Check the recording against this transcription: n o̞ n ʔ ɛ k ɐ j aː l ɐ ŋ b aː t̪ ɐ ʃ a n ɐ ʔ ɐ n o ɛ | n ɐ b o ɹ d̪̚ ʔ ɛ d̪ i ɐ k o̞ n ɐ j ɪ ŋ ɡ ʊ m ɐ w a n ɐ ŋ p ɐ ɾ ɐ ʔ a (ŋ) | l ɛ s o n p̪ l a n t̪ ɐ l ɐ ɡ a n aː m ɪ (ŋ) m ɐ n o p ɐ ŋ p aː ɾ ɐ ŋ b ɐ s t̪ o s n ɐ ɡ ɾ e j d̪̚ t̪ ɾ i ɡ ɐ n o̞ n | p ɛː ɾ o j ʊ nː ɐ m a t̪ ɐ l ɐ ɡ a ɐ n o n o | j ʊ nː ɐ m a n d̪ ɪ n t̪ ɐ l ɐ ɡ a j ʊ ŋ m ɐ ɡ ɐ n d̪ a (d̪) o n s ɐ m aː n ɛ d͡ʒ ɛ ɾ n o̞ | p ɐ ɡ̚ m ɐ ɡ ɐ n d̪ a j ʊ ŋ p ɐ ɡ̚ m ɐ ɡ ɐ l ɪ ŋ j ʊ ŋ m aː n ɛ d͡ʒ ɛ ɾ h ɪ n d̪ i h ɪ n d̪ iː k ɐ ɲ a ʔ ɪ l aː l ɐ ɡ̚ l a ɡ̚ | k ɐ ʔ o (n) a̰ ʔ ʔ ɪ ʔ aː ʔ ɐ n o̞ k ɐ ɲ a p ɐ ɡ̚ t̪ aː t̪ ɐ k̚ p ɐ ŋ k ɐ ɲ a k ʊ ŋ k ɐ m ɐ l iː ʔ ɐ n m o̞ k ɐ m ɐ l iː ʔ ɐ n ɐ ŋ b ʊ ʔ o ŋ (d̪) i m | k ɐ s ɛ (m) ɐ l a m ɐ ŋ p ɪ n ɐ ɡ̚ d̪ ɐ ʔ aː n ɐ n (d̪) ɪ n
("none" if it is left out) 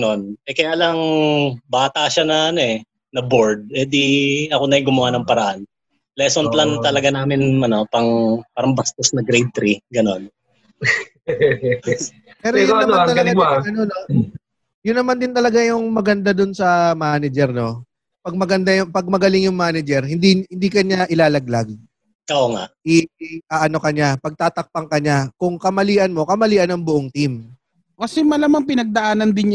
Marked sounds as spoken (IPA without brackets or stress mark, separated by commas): n, n, d̪, ŋ, t̪, m, d̪